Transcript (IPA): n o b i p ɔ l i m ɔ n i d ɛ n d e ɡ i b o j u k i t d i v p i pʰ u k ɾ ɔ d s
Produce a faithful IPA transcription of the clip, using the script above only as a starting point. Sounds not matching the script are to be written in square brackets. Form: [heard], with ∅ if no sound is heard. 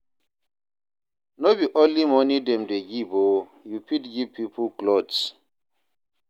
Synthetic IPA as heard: n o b i [ʔ] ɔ l i m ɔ n i d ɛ [m] d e ɡ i b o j u [p] i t [ɡ] i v p i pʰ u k [l] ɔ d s